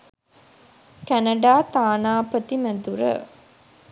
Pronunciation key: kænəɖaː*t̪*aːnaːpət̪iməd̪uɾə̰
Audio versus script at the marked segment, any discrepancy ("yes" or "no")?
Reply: no